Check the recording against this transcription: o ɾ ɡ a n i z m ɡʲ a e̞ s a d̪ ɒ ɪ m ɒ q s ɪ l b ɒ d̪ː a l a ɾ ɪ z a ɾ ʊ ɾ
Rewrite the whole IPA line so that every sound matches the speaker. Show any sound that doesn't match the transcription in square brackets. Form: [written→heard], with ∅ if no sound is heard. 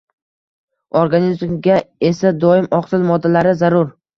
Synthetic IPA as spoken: o ɾ ɡ a n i z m ɡʲ a e̞ s a d̪ ɒ ɪ m ɒ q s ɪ l [b→m] ɒ d̪ː a l a ɾ ɪ z a ɾ ʊ ɾ